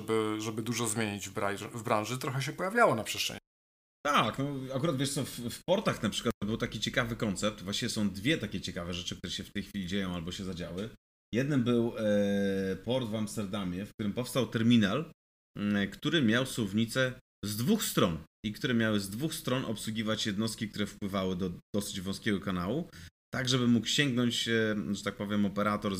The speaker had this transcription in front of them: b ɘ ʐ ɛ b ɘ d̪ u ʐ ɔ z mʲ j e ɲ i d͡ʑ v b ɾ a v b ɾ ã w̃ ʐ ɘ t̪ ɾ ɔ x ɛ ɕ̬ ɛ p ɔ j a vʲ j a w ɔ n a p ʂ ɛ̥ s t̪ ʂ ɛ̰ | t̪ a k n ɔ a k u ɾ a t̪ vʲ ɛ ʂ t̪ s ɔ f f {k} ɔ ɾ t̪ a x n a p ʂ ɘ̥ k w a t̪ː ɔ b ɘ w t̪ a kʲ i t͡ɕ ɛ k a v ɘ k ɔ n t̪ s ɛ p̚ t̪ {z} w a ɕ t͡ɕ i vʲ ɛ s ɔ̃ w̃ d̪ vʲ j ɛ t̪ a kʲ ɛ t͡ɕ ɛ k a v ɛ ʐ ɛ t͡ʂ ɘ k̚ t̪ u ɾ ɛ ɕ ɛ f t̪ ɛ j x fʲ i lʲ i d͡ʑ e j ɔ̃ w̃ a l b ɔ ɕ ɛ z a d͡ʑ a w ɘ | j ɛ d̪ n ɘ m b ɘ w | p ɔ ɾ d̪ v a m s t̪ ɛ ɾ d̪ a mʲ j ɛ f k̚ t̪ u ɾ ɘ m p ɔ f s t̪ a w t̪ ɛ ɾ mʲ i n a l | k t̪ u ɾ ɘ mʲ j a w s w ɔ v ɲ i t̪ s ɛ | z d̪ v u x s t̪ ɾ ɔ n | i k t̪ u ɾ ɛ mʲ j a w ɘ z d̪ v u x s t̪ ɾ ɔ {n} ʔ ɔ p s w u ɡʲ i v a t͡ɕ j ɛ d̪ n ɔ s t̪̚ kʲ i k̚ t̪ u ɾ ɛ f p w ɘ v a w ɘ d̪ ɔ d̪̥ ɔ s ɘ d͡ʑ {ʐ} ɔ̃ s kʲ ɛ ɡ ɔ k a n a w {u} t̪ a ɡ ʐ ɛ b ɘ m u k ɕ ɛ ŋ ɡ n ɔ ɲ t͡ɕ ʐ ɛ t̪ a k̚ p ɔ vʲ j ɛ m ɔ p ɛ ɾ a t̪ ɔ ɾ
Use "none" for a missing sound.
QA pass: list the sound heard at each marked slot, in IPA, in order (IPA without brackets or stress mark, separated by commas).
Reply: p, v, n, v, u